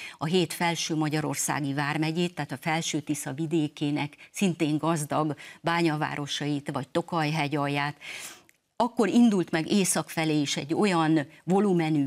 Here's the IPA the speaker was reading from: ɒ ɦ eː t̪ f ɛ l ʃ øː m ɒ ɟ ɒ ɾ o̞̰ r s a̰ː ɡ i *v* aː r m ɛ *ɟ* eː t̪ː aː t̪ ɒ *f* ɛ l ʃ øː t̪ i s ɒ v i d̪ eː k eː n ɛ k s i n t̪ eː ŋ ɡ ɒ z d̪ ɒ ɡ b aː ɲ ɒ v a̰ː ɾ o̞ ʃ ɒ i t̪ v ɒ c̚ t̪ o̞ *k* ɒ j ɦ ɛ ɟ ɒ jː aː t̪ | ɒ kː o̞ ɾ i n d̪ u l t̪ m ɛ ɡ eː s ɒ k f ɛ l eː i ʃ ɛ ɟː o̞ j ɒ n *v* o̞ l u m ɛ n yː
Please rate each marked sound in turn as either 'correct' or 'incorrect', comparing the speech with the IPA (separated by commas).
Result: correct, correct, correct, correct, correct